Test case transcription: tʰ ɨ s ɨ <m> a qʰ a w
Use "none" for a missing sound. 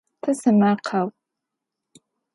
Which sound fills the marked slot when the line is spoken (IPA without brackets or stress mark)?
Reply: m